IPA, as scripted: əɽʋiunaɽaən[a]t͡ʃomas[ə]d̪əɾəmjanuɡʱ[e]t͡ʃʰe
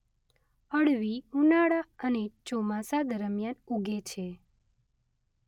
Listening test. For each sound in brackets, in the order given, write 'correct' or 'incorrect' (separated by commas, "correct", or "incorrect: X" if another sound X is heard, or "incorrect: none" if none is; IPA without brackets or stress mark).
incorrect: e, incorrect: a, correct